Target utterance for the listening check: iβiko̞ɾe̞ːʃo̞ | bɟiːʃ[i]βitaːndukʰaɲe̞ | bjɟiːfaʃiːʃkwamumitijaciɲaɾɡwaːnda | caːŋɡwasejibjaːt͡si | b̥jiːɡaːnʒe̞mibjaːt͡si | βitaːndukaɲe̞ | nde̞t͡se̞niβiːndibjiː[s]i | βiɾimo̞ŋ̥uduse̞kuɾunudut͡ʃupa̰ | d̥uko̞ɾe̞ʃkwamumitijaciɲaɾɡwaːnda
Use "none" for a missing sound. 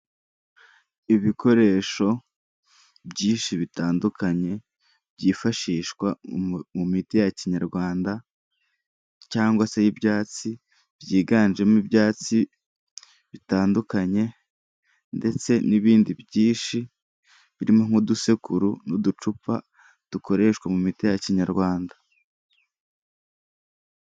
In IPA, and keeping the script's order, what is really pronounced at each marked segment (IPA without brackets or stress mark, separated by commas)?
i, ʃ